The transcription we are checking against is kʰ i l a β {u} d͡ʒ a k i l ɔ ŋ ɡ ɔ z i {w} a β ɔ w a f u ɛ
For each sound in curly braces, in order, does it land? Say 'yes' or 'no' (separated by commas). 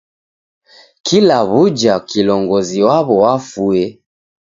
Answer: yes, yes